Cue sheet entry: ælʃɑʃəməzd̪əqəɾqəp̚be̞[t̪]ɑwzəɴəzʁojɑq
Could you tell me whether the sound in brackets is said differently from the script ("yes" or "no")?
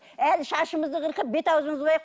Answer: no